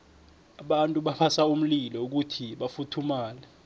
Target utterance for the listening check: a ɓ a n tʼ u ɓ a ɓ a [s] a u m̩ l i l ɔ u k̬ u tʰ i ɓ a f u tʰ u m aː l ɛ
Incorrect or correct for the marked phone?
correct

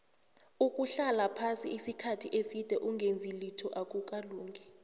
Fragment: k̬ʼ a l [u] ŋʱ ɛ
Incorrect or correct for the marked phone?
incorrect: uː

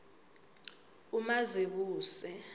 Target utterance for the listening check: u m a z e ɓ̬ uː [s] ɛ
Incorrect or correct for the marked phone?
correct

